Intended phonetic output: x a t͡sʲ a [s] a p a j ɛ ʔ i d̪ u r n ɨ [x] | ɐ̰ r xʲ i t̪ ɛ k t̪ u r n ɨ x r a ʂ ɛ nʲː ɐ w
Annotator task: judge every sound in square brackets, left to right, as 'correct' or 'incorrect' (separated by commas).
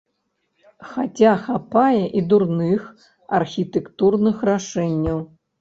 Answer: incorrect, correct